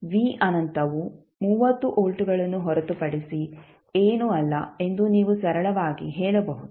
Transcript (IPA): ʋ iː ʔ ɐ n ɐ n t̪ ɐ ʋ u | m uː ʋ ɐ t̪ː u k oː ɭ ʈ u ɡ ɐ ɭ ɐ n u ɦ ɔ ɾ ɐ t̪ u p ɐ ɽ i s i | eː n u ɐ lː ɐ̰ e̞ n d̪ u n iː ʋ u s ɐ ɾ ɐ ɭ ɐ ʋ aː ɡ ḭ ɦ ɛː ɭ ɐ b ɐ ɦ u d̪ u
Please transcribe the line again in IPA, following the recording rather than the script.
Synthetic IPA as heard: ʋ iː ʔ ɐ n ɐ n t̪ ɐ ʋ u | m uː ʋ ɐ t̪ː u ʔ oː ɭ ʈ u ɡ ɐ ɭ ɐ nː u ɦ ɔ ɾ ɐ t̪ u p ɐ ɽ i s i | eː n u ɐ lː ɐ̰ e̞ n d̪ u n iː ʋ u s ɐ ɾ ɐ ɭ ɐ ʋ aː ɡ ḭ ɦ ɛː ɭ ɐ b ɐ ɦ u d̪ u